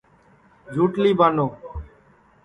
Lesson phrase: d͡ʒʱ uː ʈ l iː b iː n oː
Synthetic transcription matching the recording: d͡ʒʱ uː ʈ l iː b aː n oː